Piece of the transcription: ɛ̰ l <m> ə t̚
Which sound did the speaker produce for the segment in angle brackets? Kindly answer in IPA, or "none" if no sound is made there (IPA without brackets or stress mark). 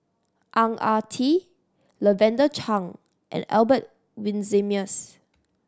b